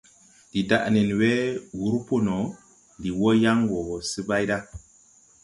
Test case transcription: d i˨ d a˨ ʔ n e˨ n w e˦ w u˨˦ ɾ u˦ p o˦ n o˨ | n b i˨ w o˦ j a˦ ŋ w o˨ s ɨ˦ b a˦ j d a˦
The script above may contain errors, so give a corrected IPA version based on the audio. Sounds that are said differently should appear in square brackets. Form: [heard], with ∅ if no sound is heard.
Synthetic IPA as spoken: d i˨ d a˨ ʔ n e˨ n w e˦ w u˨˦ ɾ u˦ p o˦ n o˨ | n [d] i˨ w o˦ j a˦ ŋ w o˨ s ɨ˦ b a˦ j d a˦